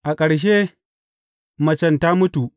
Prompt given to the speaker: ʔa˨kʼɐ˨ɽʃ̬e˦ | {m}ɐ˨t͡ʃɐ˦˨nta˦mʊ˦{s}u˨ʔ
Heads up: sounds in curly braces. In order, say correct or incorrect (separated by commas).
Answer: correct, incorrect